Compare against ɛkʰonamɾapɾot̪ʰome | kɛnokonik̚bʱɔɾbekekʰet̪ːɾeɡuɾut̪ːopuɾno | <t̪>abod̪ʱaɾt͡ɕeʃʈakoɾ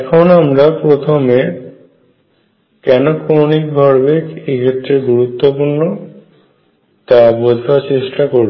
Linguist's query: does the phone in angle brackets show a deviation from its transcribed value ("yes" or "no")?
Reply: no